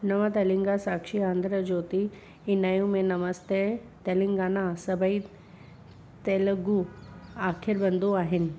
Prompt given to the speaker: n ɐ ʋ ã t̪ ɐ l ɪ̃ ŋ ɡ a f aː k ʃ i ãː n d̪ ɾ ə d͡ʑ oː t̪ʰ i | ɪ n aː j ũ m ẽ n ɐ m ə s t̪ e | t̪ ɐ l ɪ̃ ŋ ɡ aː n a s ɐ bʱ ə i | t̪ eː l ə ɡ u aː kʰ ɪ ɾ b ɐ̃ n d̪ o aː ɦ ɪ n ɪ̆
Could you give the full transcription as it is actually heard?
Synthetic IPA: n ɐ ʋ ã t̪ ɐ l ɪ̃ ŋ ɡ a s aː k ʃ i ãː n d̪ ɾ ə d͡ʑ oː t̪ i | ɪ n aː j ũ m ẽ n ɐ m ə s t̪ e | t̪ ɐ l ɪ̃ ŋ ɡ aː n a s ɐ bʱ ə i | t̪ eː l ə ɡ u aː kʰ ɪ ɾ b ɐ̃ n d̪ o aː ɦ ɪ n ɪ̆

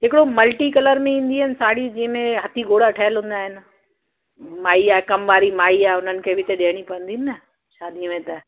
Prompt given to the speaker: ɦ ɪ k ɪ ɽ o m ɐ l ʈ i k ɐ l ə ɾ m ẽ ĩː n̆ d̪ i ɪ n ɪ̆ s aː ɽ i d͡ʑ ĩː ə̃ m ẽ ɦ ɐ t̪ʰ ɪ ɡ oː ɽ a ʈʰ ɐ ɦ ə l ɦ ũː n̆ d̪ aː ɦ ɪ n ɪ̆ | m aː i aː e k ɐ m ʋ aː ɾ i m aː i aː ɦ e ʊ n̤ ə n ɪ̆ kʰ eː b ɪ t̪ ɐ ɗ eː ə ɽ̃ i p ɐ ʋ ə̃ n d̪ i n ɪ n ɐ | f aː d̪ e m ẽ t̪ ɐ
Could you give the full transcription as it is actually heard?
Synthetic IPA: ɦ ɪ k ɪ ɽ o m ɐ l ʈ i k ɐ l ə ɾ m ẽ ĩː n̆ d̪ i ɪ n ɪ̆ s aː ɽ i d͡ʑ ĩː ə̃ m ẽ ɦ ɐ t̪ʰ i ɡ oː ɽ a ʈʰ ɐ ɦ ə l ɦ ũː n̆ d̪ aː ɦ ɪ n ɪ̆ | m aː i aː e k ɐ m ʋ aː ɾ i m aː i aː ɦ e ʊ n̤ ə n ɪ̆ kʰ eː b ɪ t̪ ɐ ɗ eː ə ɽ̃ i p ɐ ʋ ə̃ n d̪ i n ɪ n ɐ | ʃ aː d̪ i m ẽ t̪ ɐ

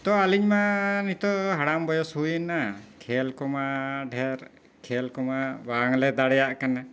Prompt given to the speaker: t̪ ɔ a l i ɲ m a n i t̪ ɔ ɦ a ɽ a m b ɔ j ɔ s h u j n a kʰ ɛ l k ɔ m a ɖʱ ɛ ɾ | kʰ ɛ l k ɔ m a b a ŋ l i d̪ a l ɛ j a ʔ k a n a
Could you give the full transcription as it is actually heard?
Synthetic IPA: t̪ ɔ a l i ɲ m a n i t̪ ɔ ɦ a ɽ a m b ɔ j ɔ s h u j n a kʰ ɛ l k ɔ m a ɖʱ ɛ ɾ | kʰ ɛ l k ɔ m a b a ŋ l ɛ d̪ a ɽ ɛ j a ʔ k a n a

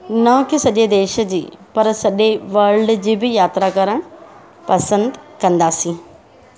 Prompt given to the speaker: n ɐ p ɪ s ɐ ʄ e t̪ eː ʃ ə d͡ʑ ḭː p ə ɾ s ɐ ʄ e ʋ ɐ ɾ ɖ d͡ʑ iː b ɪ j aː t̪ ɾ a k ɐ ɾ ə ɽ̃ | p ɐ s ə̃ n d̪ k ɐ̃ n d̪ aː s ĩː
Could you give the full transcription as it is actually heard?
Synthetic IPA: n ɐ k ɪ s ɐ ʄ e d̪ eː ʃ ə d͡ʑ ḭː p ɐ ɾ s ɐ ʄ e ʋ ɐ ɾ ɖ d͡ʑ iː b ɪ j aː t̪ ɾ a k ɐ ɾ ə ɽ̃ | p ɐ s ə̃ n d̪ k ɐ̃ n d̪ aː s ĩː

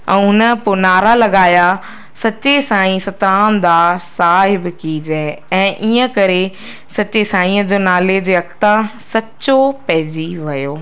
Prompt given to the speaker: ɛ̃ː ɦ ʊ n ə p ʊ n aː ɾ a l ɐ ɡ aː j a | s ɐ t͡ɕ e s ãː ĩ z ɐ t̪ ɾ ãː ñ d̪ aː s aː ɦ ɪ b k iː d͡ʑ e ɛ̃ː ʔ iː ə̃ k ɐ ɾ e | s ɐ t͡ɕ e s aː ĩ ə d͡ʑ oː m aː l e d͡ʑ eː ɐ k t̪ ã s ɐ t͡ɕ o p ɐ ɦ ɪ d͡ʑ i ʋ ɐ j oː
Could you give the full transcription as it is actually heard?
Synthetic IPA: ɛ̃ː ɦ ʊ n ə p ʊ n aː ɾ a l ɐ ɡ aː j a | s ɐ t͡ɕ e s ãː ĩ s ɐ t̪ ɾ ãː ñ d̪ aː s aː ɦ ɪ b k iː d͡ʑ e ɛ̃ː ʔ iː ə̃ k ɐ ɾ e | s ɐ t͡ɕ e s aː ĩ ə d͡ʑ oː n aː l e d͡ʑ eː ɐ k t̪ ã s ɐ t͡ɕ o p ɐ ɦ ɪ d͡ʑ i ʋ ɐ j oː

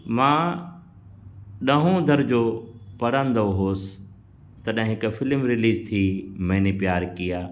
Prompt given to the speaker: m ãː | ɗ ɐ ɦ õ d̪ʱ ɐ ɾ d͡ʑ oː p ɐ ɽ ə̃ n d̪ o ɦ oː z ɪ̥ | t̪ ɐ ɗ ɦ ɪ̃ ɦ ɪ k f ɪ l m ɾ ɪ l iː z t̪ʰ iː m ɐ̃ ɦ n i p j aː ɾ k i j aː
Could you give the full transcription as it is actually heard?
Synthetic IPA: m ãː | ɗ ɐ ɦ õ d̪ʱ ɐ ɾ d͡ʑ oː p ɐ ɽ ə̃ n d̪ o ɦ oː s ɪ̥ | t̪ ɐ ɗ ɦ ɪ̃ ɦ ɪ k f ɪ l m ɾ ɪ l iː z t̪ʰ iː m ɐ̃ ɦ n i p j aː ɾ k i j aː

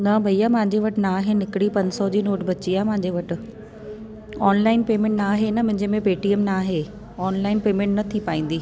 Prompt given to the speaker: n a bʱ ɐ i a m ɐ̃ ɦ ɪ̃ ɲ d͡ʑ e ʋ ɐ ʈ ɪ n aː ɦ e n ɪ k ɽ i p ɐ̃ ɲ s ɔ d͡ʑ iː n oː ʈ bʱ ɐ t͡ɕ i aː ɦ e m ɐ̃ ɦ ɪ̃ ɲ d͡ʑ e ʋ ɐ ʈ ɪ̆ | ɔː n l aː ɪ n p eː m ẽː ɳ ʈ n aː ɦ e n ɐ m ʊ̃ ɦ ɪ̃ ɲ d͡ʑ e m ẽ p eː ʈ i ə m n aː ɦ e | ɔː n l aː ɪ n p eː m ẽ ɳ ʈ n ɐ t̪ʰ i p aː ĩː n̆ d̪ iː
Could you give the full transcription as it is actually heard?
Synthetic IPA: n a bʱ ɐ i a m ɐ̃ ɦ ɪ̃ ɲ d͡ʑ e ʋ ɐ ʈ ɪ n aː ɦ e n ɪ k ɽ i p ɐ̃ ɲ s ɔ d͡ʑ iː n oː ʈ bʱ ɐ t͡ɕ i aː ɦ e m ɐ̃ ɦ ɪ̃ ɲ d͡ʑ e ʋ ɐ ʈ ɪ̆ | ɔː n l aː ɪ n p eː m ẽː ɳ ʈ n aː ɦ e n ɐ m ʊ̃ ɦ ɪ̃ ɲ d͡ʑ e m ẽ p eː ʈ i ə m n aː ɦ e | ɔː n l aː ɪ n p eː m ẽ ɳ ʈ n ɐ t̪ʰ i p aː ĩː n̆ d̪ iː

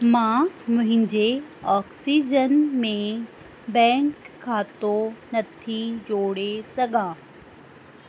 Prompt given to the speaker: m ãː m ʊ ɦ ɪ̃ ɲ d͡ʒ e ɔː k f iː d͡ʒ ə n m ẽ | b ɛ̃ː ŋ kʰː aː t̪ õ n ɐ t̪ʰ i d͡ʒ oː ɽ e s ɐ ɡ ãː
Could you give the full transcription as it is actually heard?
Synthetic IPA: m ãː m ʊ ɦ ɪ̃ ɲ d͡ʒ e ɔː k s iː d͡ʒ ə n m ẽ | b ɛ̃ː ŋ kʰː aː t̪ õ n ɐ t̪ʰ i d͡ʒ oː ɽ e s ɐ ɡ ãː

